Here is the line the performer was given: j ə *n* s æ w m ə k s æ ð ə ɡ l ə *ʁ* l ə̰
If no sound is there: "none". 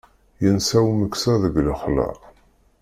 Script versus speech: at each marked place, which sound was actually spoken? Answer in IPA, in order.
n, χ

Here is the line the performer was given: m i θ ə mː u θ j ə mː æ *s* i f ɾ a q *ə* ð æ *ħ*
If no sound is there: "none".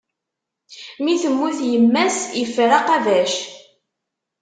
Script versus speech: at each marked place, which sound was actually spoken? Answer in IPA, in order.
s, ɑ, ʃ

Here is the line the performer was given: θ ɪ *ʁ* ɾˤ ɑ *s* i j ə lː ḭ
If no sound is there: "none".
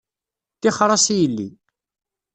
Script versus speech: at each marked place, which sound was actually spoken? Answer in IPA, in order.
χ, s

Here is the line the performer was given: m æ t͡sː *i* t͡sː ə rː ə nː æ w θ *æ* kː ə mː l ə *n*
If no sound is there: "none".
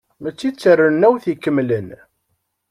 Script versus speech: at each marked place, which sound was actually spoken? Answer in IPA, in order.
i, i, n

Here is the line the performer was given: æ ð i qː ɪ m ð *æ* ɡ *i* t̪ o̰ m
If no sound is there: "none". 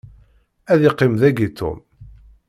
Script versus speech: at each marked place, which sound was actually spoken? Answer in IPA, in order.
æ, i

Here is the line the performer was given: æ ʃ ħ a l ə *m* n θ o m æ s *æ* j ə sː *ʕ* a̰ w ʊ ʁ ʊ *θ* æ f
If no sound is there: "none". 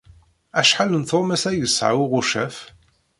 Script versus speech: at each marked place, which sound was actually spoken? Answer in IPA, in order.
none, æ, ʕ, ʃ

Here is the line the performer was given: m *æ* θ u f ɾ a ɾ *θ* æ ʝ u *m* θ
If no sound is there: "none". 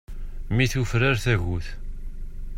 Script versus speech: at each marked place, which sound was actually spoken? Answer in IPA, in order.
i, θ, none

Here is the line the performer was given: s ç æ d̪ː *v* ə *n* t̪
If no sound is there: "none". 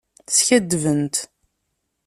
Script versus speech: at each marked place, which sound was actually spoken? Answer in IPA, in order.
v, n

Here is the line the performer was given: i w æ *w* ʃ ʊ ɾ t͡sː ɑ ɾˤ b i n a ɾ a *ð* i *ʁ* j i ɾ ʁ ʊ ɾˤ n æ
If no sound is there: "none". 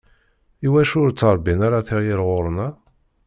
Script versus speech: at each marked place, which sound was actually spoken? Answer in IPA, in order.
none, θ, ʁ

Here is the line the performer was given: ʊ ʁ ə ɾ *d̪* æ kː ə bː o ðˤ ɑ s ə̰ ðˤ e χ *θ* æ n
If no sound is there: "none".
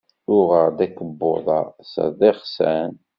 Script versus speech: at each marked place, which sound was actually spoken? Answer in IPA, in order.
d̪, s

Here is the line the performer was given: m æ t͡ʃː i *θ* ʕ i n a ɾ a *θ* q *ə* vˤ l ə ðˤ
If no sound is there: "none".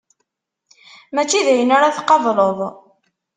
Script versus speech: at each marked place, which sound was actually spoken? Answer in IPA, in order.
ð, θ, ɑ

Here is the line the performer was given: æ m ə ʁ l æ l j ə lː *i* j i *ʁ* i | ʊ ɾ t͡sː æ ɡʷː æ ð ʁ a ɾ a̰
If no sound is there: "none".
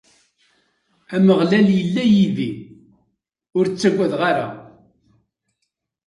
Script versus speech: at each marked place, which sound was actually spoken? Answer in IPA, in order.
æ, ð

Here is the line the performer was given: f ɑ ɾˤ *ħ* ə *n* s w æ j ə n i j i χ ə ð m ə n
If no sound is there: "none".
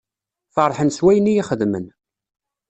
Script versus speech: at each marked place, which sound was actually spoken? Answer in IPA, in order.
ħ, n

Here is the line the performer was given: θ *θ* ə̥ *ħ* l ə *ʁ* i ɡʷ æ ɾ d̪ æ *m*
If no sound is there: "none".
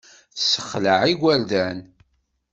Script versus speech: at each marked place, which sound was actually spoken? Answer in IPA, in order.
s, χ, ʕ, n

